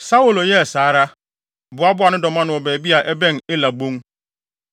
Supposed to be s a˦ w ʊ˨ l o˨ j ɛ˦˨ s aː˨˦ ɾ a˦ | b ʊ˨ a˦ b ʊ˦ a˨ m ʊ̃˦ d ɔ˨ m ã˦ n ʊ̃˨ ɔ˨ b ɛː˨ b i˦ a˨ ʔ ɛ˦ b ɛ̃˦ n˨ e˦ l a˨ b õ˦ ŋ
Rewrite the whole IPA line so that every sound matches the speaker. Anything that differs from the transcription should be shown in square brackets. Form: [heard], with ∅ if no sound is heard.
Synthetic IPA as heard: s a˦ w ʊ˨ l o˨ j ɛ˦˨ s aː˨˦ ɾ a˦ | b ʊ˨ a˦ b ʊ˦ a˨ [n] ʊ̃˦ d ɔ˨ m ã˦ n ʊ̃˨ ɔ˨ b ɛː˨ b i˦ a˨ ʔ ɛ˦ b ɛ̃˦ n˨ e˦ l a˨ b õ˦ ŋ